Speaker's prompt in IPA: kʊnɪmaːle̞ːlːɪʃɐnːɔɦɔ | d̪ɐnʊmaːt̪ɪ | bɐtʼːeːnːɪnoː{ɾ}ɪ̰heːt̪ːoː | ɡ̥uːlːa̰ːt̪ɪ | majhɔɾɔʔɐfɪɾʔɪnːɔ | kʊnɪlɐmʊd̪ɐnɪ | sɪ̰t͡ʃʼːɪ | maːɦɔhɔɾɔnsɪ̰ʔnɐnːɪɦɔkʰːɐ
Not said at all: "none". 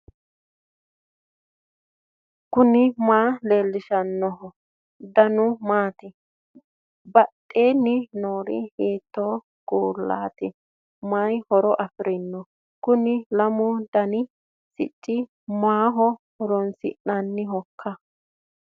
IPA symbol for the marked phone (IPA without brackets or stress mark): ɾ